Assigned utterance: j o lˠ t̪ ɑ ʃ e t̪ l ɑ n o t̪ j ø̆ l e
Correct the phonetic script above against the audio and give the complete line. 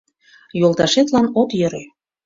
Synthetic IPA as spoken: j o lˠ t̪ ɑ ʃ e t̪ l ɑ n o t̪ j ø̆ ɾ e